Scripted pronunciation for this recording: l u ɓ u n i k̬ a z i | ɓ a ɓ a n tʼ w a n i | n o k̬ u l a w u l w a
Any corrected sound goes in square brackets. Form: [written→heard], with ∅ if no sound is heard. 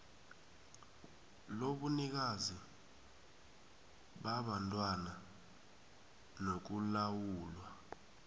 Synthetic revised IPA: l [u→o] ɓ u n i k̬ a z i | ɓ a ɓ a n tʼ w a n [i→a] | n o k̬ u l a w [u→uː] l w a